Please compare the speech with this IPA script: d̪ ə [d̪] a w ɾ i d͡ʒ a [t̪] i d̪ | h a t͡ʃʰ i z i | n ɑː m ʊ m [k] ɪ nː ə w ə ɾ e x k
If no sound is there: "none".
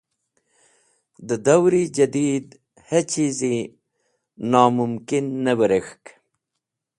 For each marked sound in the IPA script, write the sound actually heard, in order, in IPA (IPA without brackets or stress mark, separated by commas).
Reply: d̪, d̪, k